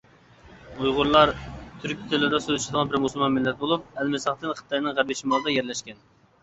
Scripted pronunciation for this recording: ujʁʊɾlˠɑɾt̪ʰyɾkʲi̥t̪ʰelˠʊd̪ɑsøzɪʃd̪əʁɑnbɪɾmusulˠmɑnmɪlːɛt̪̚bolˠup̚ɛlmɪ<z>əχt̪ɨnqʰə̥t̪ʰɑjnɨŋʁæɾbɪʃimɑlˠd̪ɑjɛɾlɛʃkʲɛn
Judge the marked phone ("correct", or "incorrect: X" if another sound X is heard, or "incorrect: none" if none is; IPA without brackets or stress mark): incorrect: s